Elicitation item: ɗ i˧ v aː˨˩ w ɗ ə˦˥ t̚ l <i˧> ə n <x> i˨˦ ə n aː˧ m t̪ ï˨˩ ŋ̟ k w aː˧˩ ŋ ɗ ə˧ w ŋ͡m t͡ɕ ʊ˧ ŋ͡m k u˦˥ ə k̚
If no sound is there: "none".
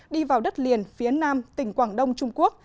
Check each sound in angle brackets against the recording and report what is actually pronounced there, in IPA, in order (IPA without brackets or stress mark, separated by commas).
i˨˩, f